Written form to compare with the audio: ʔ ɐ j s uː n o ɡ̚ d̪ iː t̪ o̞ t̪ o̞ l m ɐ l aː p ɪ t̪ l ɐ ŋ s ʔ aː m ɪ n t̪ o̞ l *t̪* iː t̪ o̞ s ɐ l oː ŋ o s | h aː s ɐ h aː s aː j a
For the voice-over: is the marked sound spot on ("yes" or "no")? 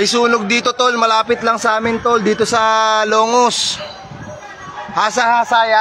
no